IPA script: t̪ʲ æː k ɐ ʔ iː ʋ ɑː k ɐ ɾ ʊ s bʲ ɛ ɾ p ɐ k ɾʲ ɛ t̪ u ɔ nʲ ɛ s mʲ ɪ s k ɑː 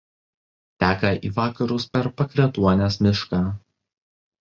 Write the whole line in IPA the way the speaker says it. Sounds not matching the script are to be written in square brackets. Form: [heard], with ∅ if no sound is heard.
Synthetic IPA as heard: t̪ʲ æː k ɐ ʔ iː ʋ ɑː k ɐ ɾ ʊ s [pʲ] ɛ ɾ p ɐ k ɾʲ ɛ t̪ u ɔ nʲ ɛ s mʲ ɪ [ʃ] k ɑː